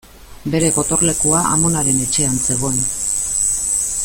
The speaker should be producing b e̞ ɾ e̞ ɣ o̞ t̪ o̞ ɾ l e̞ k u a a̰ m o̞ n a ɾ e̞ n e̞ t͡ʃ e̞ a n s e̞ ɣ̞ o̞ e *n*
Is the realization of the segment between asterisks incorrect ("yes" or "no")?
no